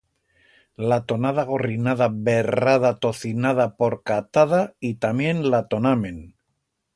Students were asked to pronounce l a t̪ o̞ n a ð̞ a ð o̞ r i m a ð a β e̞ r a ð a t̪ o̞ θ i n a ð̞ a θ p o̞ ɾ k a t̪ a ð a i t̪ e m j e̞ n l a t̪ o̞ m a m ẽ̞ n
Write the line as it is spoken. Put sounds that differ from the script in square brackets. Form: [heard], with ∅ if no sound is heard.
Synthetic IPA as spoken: l a t̪ o̞ n a ð̞ a [ɣ] o̞ r i [n] a ð a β e̞ r a ð a t̪ o̞ θ i n a ð̞ a [∅] p o̞ ɾ k a t̪ a ð a i t̪ [a] m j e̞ n l a t̪ o̞ [n] a m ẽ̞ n